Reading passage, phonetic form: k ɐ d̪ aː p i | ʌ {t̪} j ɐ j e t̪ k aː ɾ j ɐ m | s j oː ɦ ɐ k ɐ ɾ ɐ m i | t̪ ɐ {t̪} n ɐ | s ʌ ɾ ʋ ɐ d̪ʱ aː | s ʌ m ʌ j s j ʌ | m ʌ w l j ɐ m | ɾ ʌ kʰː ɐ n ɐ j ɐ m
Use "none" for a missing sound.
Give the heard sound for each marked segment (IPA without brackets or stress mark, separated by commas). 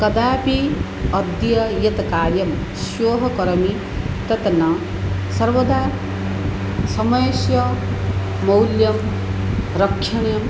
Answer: d̪, t̪